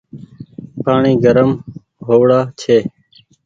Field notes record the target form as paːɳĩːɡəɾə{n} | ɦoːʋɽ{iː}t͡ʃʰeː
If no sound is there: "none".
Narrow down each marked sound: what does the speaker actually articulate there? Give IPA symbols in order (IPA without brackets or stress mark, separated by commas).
m, aː